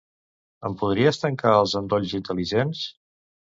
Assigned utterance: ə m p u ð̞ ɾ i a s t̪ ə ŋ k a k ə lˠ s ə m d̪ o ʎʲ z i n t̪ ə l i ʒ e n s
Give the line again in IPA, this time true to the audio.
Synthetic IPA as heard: ə m p u ð̞ ɾ i ə s t̪ ə ŋ k a ə lˠ z ə n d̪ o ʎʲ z i n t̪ ə l i ʒ e n s

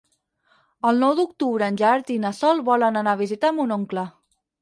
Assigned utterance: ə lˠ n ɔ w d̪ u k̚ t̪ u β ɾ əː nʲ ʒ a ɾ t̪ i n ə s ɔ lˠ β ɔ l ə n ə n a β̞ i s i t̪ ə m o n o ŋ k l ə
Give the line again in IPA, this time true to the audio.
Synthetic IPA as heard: ə lˠ n ɔ w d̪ u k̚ t̪ u β ɾ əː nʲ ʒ a ɾ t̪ i n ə s ɔ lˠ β ɔ l ə n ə n a β̞ i z i t̪ a m u n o ŋ k l ə

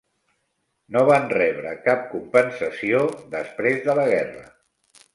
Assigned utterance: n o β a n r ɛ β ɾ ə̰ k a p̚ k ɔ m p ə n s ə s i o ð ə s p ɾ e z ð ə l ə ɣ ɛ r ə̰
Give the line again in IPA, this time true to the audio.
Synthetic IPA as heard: n o β a n r ɛ β ɾ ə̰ k a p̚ k u m p ə n s ə s i o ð ə s p ɾ e z ð ə l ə ɣ ɛ r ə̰

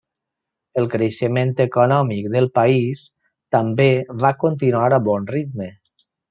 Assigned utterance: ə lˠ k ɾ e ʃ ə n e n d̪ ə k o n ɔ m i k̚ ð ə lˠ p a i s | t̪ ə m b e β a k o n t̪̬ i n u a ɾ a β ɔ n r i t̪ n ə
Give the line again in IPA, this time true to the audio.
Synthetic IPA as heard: ə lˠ k ɾ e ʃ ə m e n t̪ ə k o n ɔ m i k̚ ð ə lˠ p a i s | t̪ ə m b e β a k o n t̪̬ i n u a ɾ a β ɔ n r i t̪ m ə

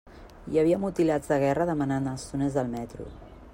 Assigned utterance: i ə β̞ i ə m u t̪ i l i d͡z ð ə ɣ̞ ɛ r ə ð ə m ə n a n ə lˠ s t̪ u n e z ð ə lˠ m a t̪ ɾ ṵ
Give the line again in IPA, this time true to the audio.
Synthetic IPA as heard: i ə β̞ i ə m u t̪ i l a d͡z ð ə ɣ̞ ɛ r ə ð ə m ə n a n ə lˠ s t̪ u n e z ð ə lˠ m ɛ t̪ ɾ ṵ

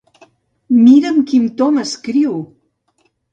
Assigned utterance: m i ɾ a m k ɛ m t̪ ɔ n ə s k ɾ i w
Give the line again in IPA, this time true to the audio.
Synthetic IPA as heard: m i ɾ ə m k i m t̪ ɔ m ə s k ɾ i w

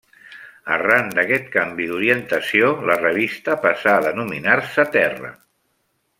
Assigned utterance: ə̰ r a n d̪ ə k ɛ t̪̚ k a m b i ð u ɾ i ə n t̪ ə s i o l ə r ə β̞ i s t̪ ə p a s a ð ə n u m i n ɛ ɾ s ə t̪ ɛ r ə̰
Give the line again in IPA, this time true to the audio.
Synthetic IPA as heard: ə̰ r a n d̪ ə k ɛ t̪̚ k a m b i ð u ɾ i ə n t̪ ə s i o l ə r ə β̞ i s t̪ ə p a s a ð ə n u m i n a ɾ s ə t̪ ɛ r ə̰

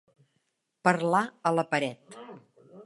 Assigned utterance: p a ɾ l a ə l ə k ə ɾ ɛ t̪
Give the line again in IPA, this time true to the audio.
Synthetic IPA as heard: p ə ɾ l a ə l ə p ə ɾ ɛ t̪

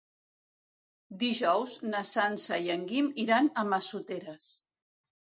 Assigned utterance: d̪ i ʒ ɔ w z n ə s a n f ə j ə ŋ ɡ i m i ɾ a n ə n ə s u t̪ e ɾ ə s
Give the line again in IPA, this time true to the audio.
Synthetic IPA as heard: d̪ i ʒ ɔ w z n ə s a n s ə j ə ŋ ɡ i m i ɾ a n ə m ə s u t̪ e ɾ ə s

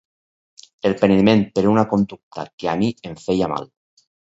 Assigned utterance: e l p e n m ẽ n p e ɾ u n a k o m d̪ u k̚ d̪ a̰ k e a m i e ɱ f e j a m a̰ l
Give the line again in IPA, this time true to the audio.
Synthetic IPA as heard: e l p e n m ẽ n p e ɾ u n a k o n d̪ u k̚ t̪ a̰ k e a m i e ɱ f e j a m a̰ l

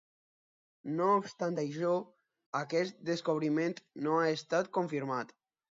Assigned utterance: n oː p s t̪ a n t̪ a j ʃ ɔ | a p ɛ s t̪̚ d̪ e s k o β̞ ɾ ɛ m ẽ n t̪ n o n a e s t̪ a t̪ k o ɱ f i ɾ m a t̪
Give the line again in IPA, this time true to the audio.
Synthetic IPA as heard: n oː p s t̪ a n t̪ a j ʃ ɔ | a k ɛ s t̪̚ d̪ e s k o β̞ ɾ i m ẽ n t̪ n o a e s t̪ a t̪ k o ɱ f i ɾ m a t̪

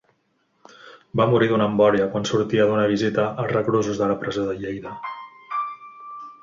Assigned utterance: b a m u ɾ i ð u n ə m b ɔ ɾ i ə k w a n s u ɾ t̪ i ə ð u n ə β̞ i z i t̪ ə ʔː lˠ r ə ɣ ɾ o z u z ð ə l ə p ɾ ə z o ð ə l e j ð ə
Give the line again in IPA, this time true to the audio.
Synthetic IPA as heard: b a m u ɾ i ð u n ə m b ɔ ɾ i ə k w a n s u ɾ t̪ i ə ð u n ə β̞ i z i t̪ ə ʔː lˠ r ə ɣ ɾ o z u z ð ə l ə p ɾ ə z o ð ə ʎ e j ð ə

